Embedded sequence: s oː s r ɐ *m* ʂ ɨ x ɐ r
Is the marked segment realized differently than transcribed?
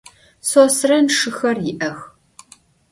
yes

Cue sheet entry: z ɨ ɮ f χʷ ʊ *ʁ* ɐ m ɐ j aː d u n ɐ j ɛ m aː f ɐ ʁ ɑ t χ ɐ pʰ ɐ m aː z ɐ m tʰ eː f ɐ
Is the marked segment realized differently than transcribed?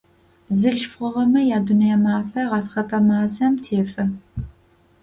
no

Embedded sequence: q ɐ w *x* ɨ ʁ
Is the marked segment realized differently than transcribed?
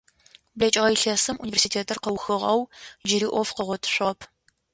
no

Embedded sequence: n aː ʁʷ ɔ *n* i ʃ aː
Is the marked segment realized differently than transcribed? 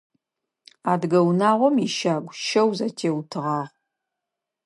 yes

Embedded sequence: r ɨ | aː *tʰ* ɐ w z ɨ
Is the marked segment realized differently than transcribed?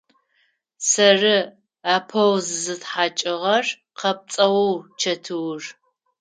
yes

